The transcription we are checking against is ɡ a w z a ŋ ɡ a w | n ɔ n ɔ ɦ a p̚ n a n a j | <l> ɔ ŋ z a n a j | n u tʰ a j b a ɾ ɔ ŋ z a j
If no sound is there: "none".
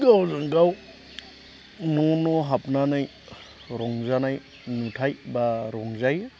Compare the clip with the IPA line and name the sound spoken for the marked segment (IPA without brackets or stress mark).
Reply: ɾ